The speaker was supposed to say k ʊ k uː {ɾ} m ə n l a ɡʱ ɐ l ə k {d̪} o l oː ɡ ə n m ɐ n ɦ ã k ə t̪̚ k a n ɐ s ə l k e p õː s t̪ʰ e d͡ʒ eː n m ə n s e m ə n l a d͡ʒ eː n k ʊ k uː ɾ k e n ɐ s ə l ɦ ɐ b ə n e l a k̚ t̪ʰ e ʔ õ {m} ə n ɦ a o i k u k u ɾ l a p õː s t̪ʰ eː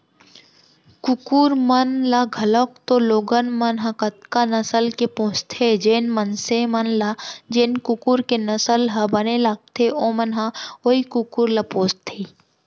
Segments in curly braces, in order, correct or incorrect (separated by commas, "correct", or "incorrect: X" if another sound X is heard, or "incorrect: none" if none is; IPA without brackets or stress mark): correct, incorrect: t̪, correct